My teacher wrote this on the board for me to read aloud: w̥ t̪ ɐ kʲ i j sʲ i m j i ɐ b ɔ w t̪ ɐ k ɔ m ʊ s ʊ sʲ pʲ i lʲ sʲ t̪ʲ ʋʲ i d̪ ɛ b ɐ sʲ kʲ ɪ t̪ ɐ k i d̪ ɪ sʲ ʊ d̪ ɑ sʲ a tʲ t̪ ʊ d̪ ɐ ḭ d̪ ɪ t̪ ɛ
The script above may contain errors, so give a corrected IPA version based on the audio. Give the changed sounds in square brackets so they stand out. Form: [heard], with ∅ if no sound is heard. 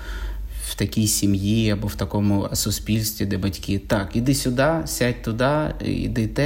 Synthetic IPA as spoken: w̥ t̪ ɐ kʲ i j sʲ i m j i ɐ b ɔ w t̪ ɐ k ɔ m ʊ s ʊ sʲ pʲ i lʲ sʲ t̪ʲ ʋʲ i d̪ ɛ b ɐ [tʲ] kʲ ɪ t̪ [ɑ] k i d̪ ɪ sʲ ʊ d̪ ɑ sʲ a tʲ t̪ ʊ d̪ [ɑ] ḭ d̪ ɪ t̪ ɛ